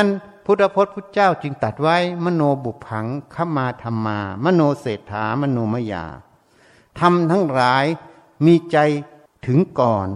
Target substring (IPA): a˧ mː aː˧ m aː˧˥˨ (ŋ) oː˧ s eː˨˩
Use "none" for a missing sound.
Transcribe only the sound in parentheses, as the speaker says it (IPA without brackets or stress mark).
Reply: n